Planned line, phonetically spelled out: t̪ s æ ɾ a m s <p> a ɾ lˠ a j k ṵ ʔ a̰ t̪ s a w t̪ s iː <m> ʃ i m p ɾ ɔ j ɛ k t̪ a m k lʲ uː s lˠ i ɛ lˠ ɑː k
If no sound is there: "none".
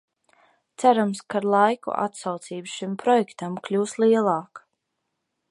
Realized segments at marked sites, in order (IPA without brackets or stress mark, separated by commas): k, b